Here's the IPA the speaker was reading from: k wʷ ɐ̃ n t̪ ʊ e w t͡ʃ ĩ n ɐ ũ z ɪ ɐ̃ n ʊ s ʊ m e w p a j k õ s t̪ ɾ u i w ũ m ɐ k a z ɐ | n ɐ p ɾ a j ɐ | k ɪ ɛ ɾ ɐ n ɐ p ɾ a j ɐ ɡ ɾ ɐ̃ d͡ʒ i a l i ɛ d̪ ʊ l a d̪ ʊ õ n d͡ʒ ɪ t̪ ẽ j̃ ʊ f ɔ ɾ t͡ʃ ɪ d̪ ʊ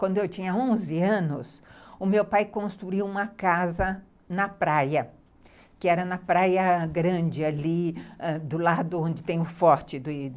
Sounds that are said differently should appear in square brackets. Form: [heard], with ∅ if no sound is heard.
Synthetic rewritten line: k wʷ ɐ̃ n [d̪] ʊ e w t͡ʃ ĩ [ɲ] ɐ [õ] z ɪ ɐ̃ n ʊ s ʊ m e w p a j k õ s t̪ ɾ u i w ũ m ɐ k a z ɐ | n ɐ p ɾ a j ɐ | k ɪ ɛ ɾ ɐ n ɐ p ɾ a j ɐ ɡ ɾ ɐ̃ d͡ʒ [ɪ] a l i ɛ d̪ ʊ l a d̪ ʊ õ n d͡ʒ ɪ t̪ ẽ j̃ ʊ f ɔ ɾ t͡ʃ ɪ d̪ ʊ

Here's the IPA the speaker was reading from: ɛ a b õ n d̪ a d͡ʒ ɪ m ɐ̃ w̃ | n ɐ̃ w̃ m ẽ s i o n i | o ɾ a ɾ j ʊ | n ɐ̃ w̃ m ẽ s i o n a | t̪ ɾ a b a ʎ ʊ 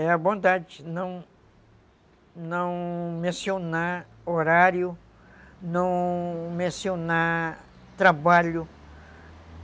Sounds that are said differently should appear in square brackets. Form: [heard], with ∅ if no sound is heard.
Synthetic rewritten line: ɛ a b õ n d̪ a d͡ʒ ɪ [n] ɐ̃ w̃ | n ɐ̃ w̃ m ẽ s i o n [a] | o ɾ a ɾ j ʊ | n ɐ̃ w̃ m ẽ s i o n a | t̪ ɾ a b a ʎ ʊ

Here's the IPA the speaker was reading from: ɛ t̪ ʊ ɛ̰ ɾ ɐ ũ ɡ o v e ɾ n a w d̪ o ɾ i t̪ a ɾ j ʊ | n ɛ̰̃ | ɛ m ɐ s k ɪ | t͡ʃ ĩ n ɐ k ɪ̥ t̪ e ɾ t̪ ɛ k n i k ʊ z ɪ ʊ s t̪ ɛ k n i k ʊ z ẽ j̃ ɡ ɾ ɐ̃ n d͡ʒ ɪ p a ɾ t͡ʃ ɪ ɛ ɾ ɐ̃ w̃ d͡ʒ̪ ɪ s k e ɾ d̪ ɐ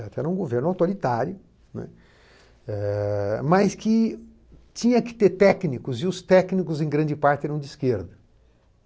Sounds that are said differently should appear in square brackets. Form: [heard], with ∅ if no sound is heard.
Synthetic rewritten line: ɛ t̪ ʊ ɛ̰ ɾ ɐ ũ ɡ o v e ɾ n a w [t̪] o ɾ i t̪ a ɾ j ʊ | n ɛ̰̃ | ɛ m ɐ s k ɪ | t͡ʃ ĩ [ɲ] ɐ k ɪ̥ t̪ e ɾ t̪ ɛ k n i k ʊ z ɪ ʊ s t̪ ɛ k n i k ʊ z ẽ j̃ ɡ ɾ ɐ̃ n d͡ʒ ɪ p a ɾ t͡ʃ ɪ ɛ ɾ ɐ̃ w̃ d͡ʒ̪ ɪ s k e ɾ d̪ ɐ

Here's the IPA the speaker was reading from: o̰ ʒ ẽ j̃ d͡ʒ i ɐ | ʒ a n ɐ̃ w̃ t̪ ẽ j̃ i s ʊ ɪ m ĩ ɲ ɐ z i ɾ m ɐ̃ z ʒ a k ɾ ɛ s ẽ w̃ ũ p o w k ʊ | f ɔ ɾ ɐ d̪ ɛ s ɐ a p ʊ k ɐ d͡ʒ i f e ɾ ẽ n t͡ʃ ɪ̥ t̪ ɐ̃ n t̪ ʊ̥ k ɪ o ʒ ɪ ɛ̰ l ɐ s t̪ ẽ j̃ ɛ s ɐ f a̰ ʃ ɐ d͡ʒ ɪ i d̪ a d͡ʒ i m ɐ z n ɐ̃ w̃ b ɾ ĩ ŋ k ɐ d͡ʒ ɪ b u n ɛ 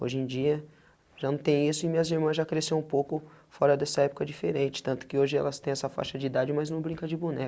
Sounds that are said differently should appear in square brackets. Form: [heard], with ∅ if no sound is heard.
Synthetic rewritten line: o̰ ʒ ẽ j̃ d͡ʒ i ɐ | ʒ a n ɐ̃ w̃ t̪ ẽ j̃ i s ʊ ɪ m ĩ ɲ ɐ z i ɾ m ɐ̃ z ʒ a k ɾ [e] s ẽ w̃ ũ p o w k ʊ | f ɔ ɾ ɐ d̪ ɛ s ɐ [ɛ] p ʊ k ɐ d͡ʒ i f e ɾ ẽ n t͡ʃ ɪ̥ t̪ ɐ̃ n t̪ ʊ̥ k ɪ o ʒ ɪ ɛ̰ l ɐ s t̪ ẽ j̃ ɛ s ɐ f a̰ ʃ ɐ d͡ʒ ɪ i d̪ a d͡ʒ [ɪ] m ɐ z n ɐ̃ w̃ b ɾ ĩ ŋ k ɐ d͡ʒ ɪ b u n ɛ

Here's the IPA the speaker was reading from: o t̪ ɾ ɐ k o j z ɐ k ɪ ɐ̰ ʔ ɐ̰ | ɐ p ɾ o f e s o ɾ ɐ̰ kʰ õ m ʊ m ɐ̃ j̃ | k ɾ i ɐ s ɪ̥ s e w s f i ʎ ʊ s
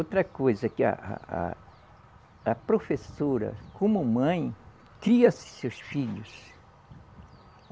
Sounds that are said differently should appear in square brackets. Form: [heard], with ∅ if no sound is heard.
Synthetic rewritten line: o t̪ ɾ ɐ k o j z ɐ k ɪ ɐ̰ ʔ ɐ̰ | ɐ p ɾ o f e s o ɾ ɐ̰ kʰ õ m ʊ m ɐ̃ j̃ | k ɾ i ɐ s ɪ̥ s e w s f i ʎ ʊ s

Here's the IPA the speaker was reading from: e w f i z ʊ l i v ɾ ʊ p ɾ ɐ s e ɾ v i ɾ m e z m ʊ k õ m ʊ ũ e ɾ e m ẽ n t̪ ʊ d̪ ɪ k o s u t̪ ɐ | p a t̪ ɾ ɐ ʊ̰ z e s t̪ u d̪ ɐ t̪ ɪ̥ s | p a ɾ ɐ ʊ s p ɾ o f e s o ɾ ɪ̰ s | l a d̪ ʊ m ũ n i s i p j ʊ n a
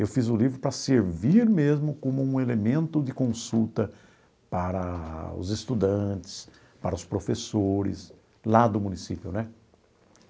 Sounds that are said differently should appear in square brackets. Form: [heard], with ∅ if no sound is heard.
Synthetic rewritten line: e w f i z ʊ l i v ɾ ʊ p ɾ ɐ s e ɾ v i ɾ m e z m ʊ k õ m ʊ ũ e [l] e m ẽ n t̪ ʊ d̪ ɪ k [õ] s u t̪ ɐ | p a [∅] ɾ ɐ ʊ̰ z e s t̪ u d̪ [ɐ̃] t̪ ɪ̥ s | p a ɾ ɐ ʊ s p ɾ o f e s o ɾ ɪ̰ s | l a d̪ ʊ m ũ n i s i p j ʊ n [ɛ]

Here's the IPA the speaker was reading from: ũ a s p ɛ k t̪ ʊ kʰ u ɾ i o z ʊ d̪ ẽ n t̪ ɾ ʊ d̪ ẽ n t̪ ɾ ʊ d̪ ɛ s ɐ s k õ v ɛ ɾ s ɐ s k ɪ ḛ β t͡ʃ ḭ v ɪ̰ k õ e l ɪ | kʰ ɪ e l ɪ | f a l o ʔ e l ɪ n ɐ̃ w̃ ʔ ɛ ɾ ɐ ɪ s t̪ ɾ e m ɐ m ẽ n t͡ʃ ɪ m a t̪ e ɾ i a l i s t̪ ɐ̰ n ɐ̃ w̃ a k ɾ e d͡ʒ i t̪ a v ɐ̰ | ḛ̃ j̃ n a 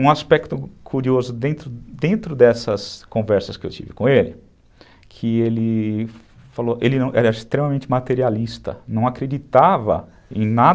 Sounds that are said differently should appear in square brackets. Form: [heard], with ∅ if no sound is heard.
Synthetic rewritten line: ũ a s p ɛ k t̪ ʊ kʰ u ɾ i o z ʊ d̪ ẽ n t̪ ɾ ʊ d̪ ẽ n t̪ ɾ ʊ d̪ ɛ s ɐ s k õ v ɛ ɾ s ɐ s k ɪ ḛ [w] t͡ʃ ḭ v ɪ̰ k õ e l ɪ | kʰ ɪ e l ɪ | f a l o ʔ e l ɪ n ɐ̃ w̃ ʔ ɛ ɾ ɐ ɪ s t̪ ɾ e m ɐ m ẽ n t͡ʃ ɪ m a t̪ e ɾ i a l i s t̪ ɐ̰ n ɐ̃ w̃ a k ɾ e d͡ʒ i t̪ a v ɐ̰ | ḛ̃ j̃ n a

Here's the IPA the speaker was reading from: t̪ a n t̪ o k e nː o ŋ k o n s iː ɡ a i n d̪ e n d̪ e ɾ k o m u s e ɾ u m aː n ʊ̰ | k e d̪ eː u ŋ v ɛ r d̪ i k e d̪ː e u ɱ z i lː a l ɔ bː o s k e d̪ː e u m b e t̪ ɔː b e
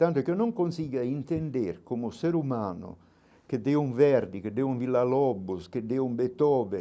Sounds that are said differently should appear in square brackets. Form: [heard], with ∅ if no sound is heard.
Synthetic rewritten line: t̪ a n t̪ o k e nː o ŋ k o n s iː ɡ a i n [t̪] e n d̪ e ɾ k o m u s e ɾ u m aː n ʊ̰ | k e d̪ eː u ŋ v ɛ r d̪ i k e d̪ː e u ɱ [v] i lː a l ɔ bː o s k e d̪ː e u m b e t̪ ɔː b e

